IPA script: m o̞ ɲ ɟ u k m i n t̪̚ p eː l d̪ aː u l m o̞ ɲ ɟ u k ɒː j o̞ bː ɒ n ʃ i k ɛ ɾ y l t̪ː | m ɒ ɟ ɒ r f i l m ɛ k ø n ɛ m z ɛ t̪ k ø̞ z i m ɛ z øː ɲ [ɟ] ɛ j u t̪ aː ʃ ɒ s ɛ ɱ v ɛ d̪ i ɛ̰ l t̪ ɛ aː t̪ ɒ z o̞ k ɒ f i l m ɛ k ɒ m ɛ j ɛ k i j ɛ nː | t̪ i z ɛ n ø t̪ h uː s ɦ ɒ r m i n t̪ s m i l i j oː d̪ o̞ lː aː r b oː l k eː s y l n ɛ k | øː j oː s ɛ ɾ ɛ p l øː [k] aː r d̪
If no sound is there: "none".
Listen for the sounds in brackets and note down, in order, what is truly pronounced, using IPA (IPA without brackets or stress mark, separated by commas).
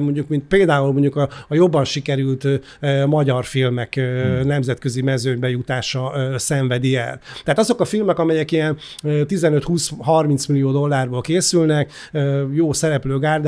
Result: b, ɡ